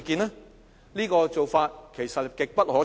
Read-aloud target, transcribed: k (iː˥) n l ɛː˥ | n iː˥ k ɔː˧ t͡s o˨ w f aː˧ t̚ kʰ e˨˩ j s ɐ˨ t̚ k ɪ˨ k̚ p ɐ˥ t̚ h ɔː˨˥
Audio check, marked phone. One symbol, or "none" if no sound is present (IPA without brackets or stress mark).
iː˧